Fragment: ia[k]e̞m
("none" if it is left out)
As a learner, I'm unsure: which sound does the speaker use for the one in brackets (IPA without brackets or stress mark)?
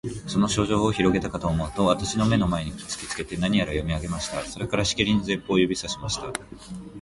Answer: ɡ